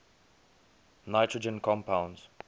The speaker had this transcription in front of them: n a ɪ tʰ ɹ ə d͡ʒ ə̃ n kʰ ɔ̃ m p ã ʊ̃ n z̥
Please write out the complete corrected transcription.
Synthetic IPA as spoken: n a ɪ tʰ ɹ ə d͡ʒ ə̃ n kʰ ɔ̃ m p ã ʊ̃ n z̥